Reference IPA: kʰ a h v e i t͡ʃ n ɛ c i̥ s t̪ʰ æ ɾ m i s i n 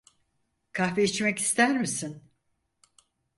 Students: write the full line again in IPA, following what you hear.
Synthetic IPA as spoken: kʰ a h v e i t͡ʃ m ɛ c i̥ s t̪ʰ æ ɾ m i s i n